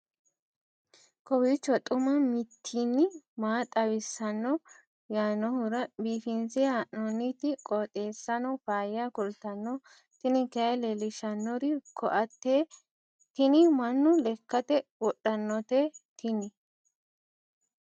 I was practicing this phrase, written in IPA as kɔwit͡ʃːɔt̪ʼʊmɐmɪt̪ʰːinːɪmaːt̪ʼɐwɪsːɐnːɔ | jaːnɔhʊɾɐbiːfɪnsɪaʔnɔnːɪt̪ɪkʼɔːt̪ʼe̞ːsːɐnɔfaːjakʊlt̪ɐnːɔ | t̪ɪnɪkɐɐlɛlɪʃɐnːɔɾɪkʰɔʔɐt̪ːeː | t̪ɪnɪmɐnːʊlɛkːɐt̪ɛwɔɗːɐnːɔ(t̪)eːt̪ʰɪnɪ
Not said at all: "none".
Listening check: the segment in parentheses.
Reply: t̪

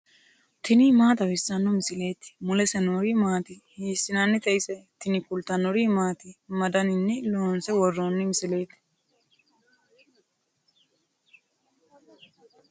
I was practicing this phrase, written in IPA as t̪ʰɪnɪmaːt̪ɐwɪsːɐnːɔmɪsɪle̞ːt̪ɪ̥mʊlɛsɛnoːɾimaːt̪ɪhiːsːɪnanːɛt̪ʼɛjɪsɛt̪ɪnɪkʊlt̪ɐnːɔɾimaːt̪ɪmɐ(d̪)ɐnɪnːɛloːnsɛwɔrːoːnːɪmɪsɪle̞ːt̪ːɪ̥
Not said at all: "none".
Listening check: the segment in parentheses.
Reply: d̪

